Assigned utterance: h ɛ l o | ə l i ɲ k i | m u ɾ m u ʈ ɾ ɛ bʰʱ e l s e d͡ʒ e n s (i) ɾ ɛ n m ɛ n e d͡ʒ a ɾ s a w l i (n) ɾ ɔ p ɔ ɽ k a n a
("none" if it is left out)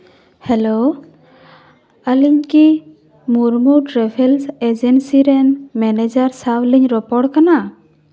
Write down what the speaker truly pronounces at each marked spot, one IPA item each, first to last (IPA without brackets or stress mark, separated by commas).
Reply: i, ɲ